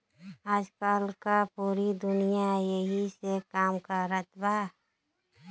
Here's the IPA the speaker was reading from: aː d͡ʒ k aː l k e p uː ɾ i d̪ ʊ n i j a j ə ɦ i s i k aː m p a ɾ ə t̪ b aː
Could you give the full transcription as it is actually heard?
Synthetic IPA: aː d͡ʒ k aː l k a p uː ɾ i d̪ ʊ n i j a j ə ɦ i s e k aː m k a ɾ ə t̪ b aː

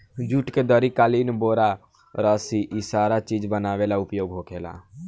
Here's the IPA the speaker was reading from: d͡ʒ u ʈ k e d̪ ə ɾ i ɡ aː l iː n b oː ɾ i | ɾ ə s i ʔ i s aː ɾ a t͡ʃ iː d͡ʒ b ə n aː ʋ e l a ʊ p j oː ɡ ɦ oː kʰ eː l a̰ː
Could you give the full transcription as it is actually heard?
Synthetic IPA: d͡ʒ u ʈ k e d̪ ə ɾ i k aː l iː n b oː ɾ a | ɾ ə s i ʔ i s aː ɾ a t͡ʃ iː d͡ʒ b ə n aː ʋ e l a ʊ p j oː ɡ ɦ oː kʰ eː l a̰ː

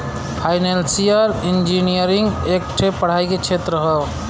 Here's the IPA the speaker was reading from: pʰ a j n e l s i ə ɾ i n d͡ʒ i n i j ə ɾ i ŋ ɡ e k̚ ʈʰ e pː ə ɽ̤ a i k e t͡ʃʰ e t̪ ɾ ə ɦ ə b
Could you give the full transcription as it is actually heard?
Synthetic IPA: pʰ a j n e l s i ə ɾ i n d͡ʒ i n i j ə ɾ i ŋ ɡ e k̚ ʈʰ e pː ə ɽ̤ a i k e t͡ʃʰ e t̪ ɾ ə ɦ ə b

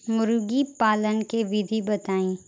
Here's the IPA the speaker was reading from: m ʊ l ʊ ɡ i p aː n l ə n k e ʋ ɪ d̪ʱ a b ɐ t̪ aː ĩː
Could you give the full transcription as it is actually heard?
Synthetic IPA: m ʊ ɾ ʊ ɡ i p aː l ə n k e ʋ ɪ d̪ʱ i b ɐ t̪ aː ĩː

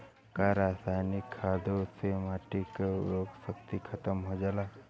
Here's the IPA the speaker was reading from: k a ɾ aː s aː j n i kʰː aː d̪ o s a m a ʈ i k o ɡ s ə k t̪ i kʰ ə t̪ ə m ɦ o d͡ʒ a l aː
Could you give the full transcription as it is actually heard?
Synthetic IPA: k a ɾ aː s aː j n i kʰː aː d̪ o s e m a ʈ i k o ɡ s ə k t̪ i kʰ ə t̪ ə m ɦ o d͡ʒ a l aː

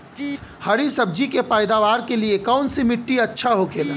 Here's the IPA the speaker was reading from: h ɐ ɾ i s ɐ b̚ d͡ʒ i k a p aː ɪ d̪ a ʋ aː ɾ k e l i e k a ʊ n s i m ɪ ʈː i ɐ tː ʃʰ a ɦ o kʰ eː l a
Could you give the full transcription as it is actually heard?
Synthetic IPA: h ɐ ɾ i s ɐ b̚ d͡ʒ i k e p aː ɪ d̪ a ʋ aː ɾ k e l i e k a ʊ n s i m ɪ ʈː i ɐ tː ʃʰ a ɦ o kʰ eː l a

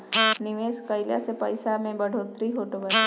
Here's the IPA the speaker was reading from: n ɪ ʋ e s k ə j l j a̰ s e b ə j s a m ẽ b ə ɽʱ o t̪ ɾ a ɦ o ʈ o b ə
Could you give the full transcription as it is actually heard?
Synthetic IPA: n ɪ ʋ e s k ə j l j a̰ s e p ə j s a m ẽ b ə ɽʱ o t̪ ɾ i ɦ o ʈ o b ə

